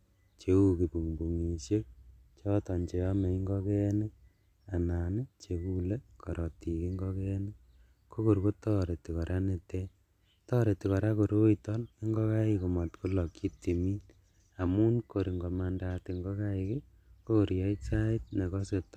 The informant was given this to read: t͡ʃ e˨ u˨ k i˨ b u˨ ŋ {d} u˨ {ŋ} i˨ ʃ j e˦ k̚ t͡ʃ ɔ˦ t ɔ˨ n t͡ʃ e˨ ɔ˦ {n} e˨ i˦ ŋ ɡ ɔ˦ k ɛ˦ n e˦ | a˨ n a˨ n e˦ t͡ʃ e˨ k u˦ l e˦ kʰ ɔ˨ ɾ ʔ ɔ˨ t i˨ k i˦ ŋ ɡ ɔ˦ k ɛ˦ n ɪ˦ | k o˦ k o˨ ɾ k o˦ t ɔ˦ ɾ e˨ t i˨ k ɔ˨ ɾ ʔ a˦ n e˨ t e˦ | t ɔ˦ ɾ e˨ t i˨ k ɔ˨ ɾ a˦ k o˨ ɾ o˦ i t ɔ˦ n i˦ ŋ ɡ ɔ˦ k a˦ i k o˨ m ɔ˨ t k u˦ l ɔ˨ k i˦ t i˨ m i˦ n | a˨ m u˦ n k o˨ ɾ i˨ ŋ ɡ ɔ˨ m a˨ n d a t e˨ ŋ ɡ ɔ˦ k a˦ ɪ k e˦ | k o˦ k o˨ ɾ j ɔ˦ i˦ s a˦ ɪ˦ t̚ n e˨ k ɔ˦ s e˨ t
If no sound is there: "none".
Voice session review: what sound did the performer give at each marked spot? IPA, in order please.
b, ŋ, m

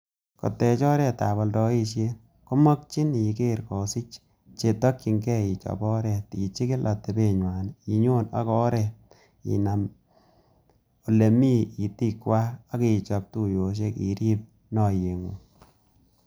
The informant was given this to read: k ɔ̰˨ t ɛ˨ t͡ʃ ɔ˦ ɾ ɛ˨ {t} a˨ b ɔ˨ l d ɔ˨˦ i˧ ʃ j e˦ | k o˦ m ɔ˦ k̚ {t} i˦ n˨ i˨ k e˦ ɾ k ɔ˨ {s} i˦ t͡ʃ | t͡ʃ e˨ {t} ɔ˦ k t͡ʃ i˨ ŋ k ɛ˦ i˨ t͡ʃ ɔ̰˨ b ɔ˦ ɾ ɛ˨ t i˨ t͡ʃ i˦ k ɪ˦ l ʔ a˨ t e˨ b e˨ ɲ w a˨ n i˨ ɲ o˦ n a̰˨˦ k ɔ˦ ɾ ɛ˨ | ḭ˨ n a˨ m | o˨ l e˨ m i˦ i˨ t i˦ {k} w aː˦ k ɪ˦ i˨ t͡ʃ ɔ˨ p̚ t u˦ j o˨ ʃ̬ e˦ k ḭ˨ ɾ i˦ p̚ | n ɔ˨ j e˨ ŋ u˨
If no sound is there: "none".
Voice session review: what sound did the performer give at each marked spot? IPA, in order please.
t, t͡ʃ, s, t, k

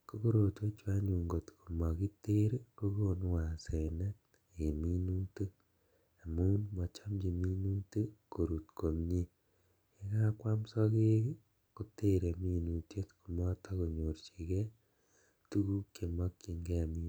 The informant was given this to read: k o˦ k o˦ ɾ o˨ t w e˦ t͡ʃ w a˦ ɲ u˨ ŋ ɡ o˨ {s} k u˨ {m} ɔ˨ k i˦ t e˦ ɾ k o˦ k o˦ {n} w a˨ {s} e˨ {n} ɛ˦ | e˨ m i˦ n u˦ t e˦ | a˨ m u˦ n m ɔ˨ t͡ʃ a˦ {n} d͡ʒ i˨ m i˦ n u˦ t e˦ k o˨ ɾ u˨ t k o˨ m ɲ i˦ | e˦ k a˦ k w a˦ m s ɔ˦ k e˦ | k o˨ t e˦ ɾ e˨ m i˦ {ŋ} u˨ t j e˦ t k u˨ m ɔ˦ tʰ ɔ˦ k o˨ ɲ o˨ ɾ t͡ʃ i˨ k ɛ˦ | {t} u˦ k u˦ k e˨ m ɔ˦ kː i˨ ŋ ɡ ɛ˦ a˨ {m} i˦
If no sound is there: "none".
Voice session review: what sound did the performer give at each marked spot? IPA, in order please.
t, m, n, s, n, m, n, t, m

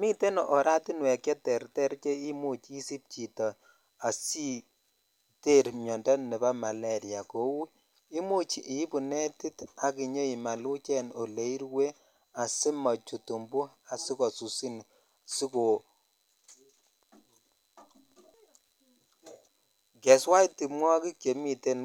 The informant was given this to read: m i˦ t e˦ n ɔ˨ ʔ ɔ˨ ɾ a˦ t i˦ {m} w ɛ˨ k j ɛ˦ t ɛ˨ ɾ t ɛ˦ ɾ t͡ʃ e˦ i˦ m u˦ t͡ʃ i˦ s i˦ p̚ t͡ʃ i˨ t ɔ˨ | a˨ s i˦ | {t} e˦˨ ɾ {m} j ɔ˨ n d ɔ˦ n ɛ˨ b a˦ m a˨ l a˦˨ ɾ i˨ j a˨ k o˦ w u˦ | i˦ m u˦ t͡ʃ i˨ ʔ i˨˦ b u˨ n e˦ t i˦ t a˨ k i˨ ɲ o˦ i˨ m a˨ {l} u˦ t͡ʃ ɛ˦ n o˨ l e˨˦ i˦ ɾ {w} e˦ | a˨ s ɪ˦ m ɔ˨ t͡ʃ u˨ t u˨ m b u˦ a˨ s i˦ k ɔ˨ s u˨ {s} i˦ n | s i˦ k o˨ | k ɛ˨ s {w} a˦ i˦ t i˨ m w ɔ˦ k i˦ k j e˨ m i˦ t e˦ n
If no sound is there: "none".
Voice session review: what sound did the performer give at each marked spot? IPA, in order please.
n, t, m, l, w, s, w

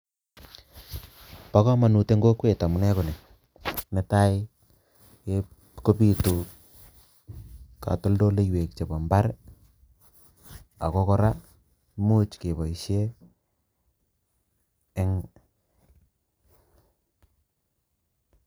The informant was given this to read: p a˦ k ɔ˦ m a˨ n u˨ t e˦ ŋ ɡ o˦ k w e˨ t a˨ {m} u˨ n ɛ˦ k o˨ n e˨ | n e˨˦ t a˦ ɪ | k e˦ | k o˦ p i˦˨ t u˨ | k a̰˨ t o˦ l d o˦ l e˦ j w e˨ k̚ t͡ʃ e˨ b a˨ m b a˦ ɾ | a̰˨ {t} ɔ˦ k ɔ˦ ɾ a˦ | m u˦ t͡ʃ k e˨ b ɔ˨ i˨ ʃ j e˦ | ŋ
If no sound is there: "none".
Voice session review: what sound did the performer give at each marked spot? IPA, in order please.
m, k

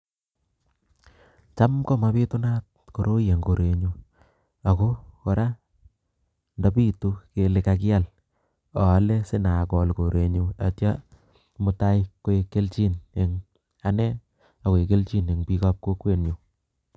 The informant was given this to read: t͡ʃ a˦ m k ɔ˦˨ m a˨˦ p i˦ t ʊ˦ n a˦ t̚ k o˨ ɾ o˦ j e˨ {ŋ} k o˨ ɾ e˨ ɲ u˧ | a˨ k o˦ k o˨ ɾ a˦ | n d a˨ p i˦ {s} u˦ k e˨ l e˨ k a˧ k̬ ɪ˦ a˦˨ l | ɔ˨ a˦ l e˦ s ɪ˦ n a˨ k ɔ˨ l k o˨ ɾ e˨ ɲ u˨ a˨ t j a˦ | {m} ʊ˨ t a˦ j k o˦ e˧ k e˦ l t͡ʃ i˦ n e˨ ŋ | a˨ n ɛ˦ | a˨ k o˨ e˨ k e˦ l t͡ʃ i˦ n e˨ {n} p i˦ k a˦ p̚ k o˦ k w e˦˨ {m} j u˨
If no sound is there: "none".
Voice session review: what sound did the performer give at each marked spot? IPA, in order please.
ŋ, t, m, ŋ, n

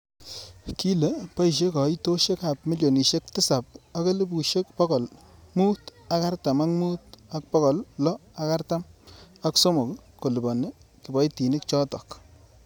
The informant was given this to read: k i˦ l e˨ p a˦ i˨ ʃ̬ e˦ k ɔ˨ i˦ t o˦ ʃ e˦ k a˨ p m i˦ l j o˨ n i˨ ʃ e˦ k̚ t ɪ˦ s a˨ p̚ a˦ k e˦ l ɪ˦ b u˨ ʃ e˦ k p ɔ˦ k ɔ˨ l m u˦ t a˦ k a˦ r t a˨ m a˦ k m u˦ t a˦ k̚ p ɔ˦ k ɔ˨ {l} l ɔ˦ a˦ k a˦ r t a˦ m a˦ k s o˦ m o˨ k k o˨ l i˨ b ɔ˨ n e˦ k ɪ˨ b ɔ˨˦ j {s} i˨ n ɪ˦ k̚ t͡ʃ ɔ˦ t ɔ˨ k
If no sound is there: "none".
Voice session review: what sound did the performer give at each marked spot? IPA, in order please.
l, t

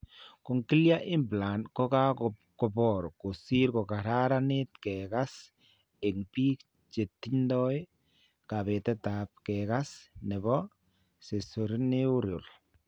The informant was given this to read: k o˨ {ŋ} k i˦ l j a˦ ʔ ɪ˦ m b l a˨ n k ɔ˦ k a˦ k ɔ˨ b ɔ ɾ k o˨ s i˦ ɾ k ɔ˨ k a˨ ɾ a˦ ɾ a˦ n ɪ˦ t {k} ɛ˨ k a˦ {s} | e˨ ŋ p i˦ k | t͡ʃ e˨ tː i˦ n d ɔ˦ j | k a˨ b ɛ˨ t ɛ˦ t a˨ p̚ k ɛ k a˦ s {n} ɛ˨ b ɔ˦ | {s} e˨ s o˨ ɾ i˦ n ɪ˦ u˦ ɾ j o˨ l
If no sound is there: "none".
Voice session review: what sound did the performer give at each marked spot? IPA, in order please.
ŋ, k, s, n, s

